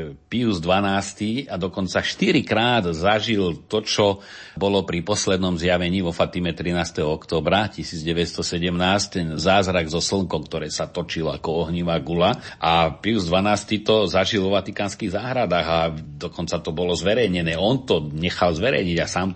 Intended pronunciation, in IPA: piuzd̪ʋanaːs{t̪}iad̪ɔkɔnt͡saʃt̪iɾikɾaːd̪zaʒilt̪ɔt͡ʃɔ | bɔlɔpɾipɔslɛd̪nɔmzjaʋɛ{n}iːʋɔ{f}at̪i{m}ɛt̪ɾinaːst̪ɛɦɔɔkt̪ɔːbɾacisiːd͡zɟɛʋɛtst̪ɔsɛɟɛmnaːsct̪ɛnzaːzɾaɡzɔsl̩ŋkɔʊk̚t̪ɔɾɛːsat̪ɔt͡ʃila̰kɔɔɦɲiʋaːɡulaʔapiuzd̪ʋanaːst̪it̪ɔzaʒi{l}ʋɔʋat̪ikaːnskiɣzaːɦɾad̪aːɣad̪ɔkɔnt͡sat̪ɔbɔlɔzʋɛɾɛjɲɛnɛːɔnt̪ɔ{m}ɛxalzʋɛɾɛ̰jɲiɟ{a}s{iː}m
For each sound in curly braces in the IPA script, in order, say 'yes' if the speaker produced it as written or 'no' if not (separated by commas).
yes, no, yes, yes, yes, no, yes, no